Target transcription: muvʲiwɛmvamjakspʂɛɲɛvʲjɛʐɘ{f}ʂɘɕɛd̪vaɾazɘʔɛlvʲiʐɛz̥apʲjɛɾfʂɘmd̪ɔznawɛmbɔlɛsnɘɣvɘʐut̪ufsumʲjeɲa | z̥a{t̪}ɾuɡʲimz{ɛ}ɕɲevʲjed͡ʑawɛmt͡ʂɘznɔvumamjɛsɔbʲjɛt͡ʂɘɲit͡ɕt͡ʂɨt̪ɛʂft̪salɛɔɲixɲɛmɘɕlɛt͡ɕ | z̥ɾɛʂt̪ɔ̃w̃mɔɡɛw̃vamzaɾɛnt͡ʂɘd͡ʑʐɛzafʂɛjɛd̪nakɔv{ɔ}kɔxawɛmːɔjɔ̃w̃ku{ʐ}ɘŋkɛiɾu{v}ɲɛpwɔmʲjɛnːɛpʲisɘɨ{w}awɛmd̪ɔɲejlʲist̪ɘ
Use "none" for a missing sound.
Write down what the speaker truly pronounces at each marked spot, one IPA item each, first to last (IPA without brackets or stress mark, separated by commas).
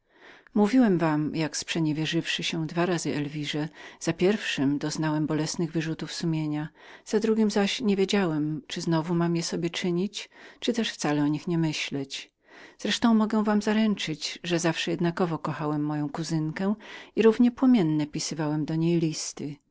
f, d̪, a, ɔ, z, v, v